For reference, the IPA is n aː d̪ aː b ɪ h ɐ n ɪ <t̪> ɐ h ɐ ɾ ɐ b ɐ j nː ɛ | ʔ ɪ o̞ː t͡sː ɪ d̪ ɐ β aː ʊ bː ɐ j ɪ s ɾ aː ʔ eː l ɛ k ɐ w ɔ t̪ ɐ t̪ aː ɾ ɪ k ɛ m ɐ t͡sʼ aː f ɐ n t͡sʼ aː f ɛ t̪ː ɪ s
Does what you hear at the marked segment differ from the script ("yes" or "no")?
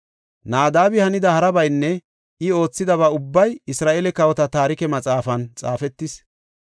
yes